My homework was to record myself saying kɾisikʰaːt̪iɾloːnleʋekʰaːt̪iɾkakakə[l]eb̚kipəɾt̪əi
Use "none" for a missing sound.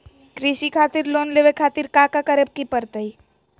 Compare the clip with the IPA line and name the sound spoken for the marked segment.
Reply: ɾ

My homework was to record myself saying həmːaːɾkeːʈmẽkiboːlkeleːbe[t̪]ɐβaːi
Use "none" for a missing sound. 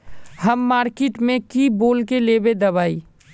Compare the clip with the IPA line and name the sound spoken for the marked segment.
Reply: d̪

